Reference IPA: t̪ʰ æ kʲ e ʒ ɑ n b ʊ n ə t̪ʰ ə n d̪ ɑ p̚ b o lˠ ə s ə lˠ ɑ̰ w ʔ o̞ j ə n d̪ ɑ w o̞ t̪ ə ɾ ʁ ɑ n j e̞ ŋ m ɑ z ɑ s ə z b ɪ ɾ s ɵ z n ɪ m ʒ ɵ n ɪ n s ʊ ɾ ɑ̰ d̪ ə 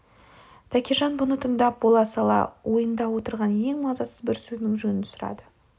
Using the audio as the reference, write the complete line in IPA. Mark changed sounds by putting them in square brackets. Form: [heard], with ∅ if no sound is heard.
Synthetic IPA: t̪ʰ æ kʲ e ʒ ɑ n b ʊ n ə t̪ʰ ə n d̪ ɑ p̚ b o lˠ [ɑ] s [ɑ] lˠ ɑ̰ w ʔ o̞ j ə n d̪ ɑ w o̞ t̪ ə ɾ ʁ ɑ n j e̞ ŋ m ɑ z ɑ s ə z b ɪ ɾ s ɵ z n ɪ [ŋ] ʒ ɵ n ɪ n s ʊ ɾ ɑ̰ d̪ ə